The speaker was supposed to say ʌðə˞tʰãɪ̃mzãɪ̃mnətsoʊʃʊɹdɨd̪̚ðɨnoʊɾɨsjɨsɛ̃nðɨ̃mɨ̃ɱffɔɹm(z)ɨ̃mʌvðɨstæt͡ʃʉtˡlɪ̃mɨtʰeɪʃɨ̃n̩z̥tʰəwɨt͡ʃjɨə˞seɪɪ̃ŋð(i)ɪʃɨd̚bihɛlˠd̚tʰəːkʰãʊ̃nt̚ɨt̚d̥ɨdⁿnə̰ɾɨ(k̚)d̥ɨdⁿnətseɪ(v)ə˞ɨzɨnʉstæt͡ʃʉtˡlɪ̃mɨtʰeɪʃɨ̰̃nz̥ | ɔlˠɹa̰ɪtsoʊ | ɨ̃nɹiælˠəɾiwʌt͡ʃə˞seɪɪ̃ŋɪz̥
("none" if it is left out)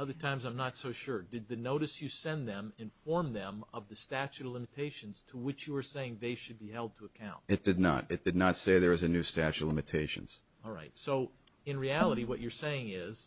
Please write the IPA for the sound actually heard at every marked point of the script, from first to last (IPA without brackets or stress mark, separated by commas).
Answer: ð, e, t̚, ð